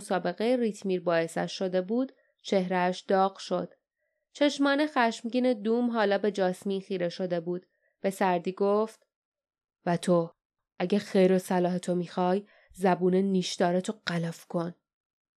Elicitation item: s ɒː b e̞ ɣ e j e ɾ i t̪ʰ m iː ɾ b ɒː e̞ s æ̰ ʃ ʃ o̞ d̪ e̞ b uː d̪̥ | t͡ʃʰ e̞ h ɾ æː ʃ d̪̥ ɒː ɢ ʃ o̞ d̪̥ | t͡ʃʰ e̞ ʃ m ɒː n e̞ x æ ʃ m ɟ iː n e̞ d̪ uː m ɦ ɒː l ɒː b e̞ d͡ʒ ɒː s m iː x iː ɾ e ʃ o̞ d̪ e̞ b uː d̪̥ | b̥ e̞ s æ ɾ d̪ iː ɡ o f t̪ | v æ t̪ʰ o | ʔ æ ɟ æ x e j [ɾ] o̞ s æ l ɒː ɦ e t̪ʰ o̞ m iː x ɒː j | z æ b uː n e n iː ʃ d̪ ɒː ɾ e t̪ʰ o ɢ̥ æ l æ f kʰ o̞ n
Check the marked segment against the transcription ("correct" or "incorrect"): correct